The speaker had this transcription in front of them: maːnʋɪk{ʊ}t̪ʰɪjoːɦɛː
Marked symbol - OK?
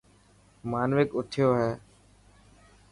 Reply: yes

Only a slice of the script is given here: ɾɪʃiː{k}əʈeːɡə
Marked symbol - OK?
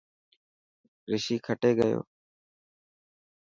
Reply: no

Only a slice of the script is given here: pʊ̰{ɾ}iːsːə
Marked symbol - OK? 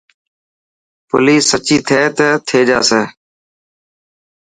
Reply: no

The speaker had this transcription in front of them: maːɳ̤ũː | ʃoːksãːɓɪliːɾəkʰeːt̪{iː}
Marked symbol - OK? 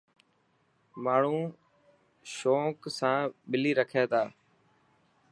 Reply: no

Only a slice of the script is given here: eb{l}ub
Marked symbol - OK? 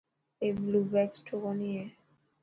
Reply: yes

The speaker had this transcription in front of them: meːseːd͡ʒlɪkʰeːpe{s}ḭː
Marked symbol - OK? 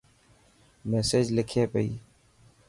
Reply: no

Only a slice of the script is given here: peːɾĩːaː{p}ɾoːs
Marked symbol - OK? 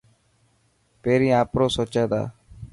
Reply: yes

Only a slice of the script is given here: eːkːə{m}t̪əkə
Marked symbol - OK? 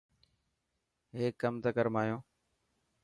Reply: yes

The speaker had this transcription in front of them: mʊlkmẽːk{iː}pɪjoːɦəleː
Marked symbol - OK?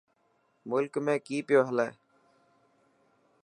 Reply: yes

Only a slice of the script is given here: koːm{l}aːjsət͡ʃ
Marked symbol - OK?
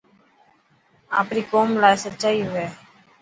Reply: yes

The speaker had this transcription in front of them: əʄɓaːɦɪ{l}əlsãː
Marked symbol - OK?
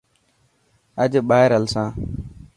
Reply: no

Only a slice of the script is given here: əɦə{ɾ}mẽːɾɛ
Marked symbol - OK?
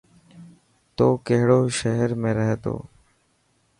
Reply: yes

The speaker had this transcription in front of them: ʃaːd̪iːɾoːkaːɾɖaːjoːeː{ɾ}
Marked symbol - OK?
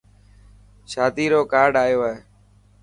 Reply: no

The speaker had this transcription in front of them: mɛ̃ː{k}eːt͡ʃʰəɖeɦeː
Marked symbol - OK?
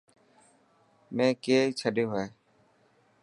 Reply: yes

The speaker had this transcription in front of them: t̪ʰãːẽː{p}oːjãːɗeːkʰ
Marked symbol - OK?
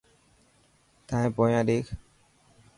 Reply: yes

